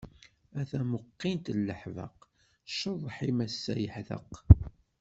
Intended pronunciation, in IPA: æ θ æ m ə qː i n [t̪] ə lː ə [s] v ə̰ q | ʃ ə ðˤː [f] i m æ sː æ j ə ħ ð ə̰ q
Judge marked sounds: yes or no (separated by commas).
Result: yes, no, no